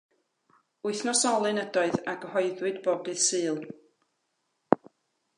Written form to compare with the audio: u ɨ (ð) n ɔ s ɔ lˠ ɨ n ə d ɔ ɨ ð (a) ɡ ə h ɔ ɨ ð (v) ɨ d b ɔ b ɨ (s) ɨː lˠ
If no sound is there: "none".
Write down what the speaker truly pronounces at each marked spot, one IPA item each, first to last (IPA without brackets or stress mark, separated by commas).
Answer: θ, a, w, s